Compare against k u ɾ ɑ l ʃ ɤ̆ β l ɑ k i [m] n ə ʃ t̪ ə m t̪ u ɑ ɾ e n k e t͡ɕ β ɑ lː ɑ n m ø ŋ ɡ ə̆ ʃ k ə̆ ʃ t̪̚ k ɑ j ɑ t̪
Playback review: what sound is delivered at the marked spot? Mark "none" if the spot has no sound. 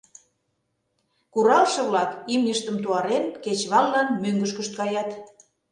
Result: m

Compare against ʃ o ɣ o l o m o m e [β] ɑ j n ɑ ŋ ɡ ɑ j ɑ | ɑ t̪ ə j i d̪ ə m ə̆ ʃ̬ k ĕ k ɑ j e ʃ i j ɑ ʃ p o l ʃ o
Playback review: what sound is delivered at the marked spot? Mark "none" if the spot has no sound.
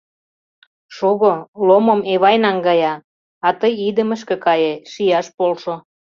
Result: β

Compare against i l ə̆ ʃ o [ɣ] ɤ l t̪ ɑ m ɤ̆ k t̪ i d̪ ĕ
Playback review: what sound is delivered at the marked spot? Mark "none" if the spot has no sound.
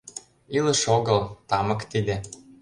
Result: ɣ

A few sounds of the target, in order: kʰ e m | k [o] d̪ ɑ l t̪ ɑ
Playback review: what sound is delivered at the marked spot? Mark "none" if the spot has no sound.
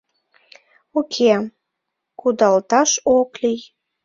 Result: u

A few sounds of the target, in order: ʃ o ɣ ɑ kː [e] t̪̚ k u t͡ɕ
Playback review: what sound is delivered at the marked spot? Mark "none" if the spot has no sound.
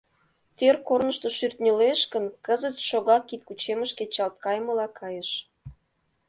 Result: i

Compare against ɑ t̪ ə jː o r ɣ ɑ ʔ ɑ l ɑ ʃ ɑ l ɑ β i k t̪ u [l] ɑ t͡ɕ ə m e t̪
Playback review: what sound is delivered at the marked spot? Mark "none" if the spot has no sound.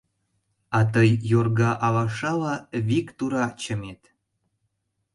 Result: ɾ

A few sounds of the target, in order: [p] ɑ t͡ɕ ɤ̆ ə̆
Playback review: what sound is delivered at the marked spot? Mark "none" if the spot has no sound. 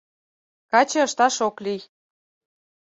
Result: k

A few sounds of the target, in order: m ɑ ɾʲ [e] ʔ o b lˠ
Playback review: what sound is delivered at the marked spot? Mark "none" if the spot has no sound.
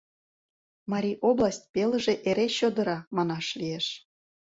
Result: i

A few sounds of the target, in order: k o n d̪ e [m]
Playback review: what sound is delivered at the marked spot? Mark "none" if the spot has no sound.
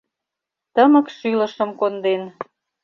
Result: n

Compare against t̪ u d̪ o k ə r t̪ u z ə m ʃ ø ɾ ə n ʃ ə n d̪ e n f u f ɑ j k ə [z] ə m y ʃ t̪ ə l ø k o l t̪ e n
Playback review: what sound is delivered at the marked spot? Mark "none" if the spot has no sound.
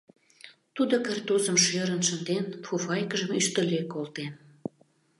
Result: ʒ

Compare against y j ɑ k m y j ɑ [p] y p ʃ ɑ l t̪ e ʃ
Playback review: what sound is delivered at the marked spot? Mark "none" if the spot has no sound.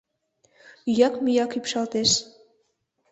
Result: k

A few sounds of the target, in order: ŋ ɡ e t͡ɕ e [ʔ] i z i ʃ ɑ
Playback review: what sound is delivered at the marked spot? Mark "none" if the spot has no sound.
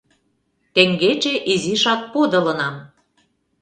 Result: ʔ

